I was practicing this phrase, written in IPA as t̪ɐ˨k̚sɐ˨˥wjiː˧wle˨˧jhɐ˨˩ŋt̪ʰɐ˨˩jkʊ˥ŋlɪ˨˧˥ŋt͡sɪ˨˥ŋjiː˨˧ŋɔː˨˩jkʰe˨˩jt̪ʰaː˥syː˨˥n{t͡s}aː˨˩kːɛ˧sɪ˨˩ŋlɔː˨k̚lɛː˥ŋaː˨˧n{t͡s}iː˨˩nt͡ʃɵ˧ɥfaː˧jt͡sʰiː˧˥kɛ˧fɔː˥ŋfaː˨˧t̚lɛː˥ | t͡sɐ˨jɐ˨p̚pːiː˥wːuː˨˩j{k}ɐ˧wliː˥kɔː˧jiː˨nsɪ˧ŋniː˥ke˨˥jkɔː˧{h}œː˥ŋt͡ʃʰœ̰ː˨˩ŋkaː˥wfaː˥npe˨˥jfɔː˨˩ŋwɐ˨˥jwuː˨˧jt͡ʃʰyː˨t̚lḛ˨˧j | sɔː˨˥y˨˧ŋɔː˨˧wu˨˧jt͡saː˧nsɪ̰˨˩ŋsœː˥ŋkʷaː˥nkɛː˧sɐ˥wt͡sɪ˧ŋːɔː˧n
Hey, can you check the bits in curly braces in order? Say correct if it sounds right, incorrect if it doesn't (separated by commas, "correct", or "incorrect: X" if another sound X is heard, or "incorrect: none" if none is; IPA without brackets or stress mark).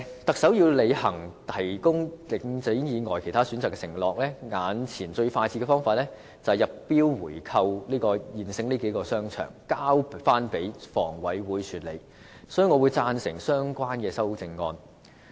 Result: correct, incorrect: t͡sʰ, incorrect: kʰ, incorrect: s